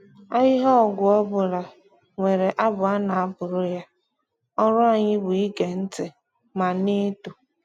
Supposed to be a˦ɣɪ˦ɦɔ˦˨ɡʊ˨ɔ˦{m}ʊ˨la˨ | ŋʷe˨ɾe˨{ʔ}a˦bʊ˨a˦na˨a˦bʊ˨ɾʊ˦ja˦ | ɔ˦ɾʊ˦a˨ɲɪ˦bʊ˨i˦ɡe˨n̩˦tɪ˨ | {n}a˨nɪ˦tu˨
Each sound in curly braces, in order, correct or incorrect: incorrect: b, correct, incorrect: m

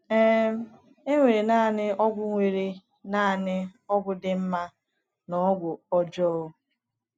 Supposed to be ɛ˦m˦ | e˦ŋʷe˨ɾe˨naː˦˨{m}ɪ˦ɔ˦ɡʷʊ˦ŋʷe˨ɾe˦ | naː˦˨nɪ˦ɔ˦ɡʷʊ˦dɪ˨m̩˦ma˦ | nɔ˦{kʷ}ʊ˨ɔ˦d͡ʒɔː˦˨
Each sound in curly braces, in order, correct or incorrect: incorrect: n, incorrect: ɡʷ

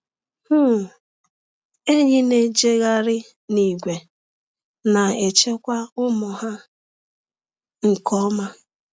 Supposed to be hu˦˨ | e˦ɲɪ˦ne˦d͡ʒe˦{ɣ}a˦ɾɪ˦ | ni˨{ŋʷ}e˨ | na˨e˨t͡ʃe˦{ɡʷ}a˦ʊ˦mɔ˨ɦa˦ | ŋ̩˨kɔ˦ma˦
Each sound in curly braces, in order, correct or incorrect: correct, incorrect: ɡʷ, incorrect: kʷ

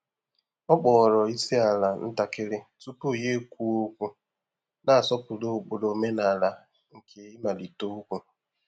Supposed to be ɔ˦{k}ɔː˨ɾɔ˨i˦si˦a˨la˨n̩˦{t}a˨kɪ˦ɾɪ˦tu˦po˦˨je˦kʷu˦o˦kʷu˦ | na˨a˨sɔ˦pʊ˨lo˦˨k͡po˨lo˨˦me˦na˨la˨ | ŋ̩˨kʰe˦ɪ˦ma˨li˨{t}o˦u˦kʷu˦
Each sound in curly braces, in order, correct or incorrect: incorrect: k͡p, correct, correct

